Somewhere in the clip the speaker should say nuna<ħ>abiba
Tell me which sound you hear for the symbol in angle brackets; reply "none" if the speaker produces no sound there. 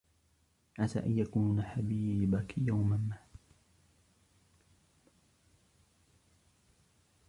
ħ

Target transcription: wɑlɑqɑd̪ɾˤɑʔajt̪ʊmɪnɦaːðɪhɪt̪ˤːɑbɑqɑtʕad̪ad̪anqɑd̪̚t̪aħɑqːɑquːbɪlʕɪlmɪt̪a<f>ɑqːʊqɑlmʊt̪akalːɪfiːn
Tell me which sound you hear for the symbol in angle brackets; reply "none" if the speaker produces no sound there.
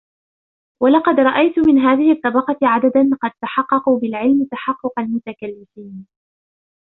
ħ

